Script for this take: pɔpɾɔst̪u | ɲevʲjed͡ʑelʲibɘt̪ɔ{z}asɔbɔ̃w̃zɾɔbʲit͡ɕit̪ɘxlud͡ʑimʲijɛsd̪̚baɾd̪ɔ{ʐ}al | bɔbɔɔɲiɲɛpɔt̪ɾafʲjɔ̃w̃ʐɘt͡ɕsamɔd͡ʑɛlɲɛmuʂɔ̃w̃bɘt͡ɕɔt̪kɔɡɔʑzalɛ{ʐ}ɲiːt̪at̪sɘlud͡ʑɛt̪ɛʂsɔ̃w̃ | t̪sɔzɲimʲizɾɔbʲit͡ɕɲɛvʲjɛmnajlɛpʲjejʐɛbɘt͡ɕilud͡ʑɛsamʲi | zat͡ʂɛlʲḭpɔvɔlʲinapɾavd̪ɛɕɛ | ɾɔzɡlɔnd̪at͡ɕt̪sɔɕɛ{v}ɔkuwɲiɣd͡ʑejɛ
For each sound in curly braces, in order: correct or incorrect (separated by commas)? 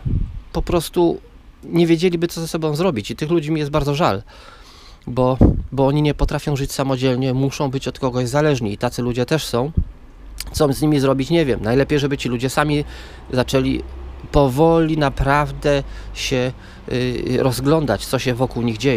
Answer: correct, correct, correct, correct